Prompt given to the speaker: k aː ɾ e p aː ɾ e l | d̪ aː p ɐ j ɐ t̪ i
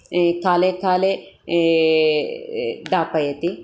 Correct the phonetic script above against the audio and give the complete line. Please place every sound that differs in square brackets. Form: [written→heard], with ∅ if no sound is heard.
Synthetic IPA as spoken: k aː [ɾ→l] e [p→k] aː [ɾ→l] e [l→∅] | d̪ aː p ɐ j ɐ t̪ i